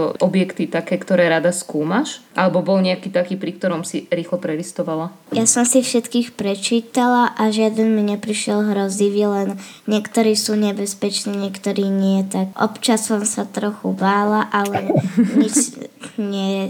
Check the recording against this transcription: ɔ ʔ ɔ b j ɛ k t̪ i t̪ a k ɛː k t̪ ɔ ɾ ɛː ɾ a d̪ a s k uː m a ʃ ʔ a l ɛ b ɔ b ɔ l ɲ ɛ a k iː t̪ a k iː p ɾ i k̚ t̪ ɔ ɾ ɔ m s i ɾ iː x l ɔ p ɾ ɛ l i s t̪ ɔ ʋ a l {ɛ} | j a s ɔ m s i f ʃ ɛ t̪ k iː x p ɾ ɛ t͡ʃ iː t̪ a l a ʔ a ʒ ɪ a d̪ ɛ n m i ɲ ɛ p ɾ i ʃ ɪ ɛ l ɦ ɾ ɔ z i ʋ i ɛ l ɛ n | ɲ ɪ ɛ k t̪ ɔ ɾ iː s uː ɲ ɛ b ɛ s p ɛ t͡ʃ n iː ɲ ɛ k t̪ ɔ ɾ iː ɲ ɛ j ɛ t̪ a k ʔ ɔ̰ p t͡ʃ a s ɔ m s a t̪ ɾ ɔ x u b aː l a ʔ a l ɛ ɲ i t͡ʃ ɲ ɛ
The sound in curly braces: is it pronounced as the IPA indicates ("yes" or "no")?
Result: no